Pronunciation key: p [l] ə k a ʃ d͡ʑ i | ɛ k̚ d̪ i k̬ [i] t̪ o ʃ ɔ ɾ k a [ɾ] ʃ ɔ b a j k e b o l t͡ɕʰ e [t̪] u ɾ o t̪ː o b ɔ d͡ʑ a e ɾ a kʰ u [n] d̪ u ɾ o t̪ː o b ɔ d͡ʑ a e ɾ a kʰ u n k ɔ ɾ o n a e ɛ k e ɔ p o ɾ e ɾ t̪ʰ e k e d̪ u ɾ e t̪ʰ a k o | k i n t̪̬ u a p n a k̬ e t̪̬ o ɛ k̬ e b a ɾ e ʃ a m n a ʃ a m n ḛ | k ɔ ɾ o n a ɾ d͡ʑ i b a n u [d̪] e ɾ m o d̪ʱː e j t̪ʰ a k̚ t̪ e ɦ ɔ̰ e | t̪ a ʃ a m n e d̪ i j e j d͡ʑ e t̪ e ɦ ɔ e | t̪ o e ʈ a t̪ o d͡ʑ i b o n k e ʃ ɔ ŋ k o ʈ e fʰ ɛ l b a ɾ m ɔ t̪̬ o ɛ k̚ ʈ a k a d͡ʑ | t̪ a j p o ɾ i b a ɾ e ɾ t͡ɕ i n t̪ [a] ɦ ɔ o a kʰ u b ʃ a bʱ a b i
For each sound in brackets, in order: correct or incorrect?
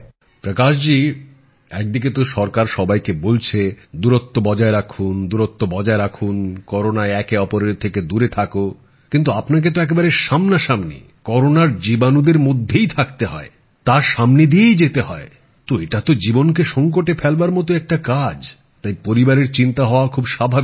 incorrect, incorrect, correct, incorrect, correct, correct, correct

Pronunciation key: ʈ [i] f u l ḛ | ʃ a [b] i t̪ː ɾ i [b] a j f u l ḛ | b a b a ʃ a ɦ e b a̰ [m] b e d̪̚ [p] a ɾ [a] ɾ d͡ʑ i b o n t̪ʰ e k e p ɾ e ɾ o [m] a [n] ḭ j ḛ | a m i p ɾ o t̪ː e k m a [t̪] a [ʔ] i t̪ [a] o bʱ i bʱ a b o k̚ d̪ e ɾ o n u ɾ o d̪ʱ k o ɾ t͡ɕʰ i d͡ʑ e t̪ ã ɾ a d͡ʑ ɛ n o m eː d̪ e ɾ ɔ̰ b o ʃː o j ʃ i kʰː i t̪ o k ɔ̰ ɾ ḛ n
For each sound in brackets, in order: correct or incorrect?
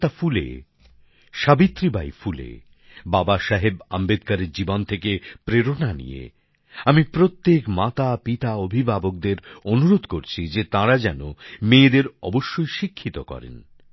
incorrect, correct, correct, correct, incorrect, incorrect, incorrect, correct, correct, incorrect, correct

